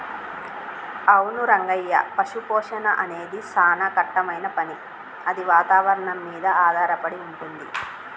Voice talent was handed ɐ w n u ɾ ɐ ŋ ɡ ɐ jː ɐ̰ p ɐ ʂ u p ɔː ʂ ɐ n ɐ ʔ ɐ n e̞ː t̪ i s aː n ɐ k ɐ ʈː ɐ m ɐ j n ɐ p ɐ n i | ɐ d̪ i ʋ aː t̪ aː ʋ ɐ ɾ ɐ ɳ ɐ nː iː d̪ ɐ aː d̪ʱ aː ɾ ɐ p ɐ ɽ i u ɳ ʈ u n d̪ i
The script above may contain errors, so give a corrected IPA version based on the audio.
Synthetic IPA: ɐ w n u ɾ ɐ ŋ ɡ ɐ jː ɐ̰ p ɐ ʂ u p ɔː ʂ ɐ n ɐ ʔ ɐ n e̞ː d̪ i s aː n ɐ k ɐ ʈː ɐ m ɐ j n ɐ p ɐ n i | ɐ d̪ i ʋ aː t̪ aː ʋ ɐ ɾ ɐ ɳ ɐ mː iː d̪ ɐ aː d̪ʱ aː ɾ ɐ p ɐ ɽ i u ɳ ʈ u n d̪ i

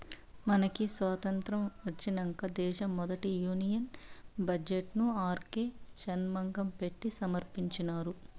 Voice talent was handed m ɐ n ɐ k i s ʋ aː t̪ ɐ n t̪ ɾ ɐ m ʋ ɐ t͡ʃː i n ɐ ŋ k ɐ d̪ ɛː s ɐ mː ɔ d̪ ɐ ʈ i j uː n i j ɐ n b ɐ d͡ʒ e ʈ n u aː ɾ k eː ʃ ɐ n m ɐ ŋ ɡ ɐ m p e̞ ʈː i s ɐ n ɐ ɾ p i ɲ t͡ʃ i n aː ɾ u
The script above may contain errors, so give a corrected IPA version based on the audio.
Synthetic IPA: m ɐ n ɐ k i s ʋ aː t̪ ɐ n t̪ ɾ ɐ m ʋ ɐ t͡ʃː i n ɐ ŋ k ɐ d̪ ɛː ʃ ɐ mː ɔ d̪ ɐ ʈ i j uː n i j ɐ n b ɐ d͡ʒ e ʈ n u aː ɾ k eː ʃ ɐ n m ɐ ŋ ɡ ɐ m p e̞ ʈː i s ɐ m ɐ ɾ p i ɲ t͡ʃ i n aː ɾ u

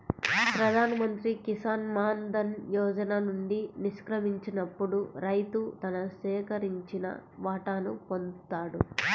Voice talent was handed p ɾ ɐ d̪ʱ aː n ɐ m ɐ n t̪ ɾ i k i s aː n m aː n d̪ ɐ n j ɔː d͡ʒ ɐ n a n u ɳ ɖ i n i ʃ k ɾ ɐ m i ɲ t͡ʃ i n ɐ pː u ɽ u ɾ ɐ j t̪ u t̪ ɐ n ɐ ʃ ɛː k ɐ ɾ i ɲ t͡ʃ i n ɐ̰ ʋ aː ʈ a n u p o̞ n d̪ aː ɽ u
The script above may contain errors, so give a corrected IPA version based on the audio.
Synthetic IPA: p ɾ ɐ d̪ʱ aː n ɐ m ɐ n t̪ ɾ i k i s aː n m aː n d̪ ɐ n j ɔː d͡ʒ ɐ n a n u ɳ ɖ i n i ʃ k ɾ ɐ m i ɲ t͡ʃ i n ɐ pː u ɽ u ɾ ɐ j t̪ u t̪ ɐ n ɐ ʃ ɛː k ɐ ɾ i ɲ t͡ʃ i n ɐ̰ ʋ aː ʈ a n u p o̞ n t̪ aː ɽ u

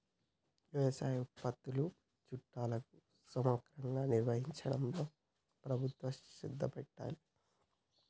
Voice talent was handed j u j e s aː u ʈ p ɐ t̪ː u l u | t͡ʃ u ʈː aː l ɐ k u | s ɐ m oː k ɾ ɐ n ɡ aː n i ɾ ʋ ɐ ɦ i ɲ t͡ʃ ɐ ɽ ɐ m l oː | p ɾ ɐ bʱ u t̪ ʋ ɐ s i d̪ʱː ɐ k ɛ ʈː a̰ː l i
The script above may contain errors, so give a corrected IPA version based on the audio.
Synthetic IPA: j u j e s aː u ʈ p ɐ t̪ː u l u | t͡ʃ u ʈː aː l ɐ k u | s ɐ m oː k ɾ ɐ ŋ ɡ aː n i ɾ ʋ ɐ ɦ i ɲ t͡ʃ ɐ ɽ ɐ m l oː | p ɾ ɐ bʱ u t̪ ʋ ɐ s i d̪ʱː ɐ p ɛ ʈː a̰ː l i

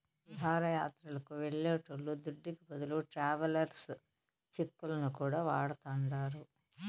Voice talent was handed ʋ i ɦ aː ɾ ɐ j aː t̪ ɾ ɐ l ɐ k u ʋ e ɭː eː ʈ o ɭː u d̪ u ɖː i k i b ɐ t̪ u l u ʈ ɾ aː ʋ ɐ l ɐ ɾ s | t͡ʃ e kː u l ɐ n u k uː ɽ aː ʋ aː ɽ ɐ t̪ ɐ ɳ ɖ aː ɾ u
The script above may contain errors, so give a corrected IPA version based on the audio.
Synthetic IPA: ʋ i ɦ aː ɾ ɐ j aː t̪ ɾ ɐ l ɐ k u ʋ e ɭː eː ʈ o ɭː u d̪ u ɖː i k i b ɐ d̪ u l u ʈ ɾ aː ʋ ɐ l ɐ ɾ s | t͡ʃ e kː u l ɐ n u k uː ɽ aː ʋ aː ɽ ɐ t̪ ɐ ɳ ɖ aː ɾ u

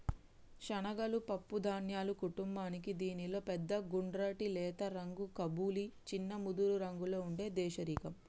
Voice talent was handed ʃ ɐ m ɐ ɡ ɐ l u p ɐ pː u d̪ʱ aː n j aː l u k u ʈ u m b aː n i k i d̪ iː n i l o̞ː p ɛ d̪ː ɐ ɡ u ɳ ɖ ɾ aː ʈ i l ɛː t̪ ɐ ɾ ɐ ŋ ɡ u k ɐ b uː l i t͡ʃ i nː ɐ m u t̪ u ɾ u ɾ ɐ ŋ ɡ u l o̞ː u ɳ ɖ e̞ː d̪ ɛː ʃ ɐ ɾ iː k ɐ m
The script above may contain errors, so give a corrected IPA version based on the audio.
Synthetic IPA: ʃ ɐ n ɐ ɡ ɐ l u p ɐ pː u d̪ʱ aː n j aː l u k u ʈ u m b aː n i k i d̪ iː n i l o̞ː p ɛ d̪ː ɐ ɡ u ɳ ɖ ɾ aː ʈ i l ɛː t̪ ɐ ɾ ɐ ŋ ɡ u k ɐ b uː l i t͡ʃ i nː ɐ m u d̪ u ɾ u ɾ ɐ ŋ ɡ u l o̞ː u ɳ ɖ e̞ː d̪ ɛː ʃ ɐ ɾ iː k ɐ m

